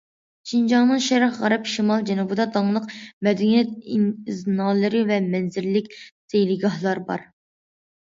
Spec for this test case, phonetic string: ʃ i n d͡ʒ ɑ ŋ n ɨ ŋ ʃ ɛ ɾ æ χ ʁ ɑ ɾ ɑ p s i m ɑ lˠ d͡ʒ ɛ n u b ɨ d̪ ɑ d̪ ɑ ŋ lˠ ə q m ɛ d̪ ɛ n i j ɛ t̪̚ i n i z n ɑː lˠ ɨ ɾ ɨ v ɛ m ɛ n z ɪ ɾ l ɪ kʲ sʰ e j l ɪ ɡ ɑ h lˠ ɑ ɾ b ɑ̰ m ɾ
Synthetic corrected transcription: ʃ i n d͡ʒ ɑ ŋ n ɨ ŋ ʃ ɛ ɾ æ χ ʁ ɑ ɾ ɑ p ʃ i m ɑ lˠ d͡ʒ ɛ n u b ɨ d̪ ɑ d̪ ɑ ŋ lˠ ə q m ɛ d̪ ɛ n i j ɛ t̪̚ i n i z n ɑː lˠ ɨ ɾ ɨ v ɛ m ɛ n z ɪ ɾ l ɪ kʲ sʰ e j l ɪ ɡ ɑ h lˠ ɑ ɾ b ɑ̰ ɾ